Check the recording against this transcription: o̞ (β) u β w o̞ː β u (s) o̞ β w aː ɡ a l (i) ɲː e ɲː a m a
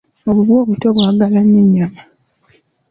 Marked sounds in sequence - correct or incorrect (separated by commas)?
correct, incorrect, incorrect